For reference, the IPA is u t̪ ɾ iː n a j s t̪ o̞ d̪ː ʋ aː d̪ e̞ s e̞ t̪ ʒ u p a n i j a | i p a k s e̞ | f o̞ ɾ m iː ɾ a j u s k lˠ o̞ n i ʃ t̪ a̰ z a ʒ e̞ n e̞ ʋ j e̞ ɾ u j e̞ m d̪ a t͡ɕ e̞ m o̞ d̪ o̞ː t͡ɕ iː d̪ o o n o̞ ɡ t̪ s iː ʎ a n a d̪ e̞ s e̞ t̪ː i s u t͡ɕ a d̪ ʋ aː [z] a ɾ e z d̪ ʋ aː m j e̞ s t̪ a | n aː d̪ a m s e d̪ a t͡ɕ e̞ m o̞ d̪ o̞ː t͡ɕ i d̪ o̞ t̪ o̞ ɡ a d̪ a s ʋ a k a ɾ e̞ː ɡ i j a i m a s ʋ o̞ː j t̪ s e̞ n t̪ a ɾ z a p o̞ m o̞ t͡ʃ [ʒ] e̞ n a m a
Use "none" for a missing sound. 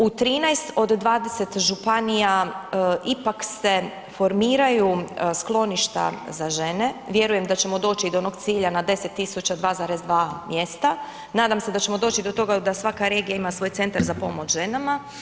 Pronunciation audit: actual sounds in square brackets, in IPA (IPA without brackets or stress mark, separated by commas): z, ʒ